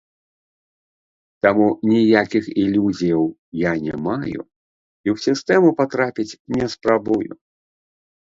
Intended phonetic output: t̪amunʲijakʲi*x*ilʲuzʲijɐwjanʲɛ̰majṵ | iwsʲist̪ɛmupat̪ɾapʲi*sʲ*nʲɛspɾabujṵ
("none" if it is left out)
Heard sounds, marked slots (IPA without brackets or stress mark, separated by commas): x, t͡sʲ